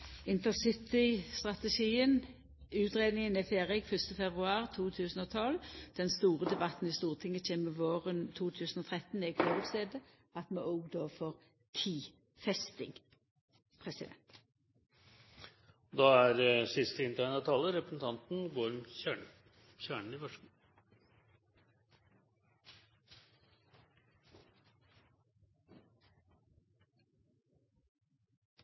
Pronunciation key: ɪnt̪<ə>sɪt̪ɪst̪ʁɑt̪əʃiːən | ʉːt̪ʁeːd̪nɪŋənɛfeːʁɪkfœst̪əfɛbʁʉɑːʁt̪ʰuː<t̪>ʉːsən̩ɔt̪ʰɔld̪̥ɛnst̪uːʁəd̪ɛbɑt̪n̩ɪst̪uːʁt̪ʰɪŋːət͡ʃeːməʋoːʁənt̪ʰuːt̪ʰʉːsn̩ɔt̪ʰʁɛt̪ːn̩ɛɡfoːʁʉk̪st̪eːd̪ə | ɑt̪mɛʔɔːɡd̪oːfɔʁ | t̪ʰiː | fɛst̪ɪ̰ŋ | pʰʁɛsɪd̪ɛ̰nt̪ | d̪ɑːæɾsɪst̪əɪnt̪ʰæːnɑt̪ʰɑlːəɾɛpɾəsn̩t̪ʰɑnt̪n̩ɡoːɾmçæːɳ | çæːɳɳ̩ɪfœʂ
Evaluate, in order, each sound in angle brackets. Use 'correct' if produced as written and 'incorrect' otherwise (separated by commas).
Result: correct, incorrect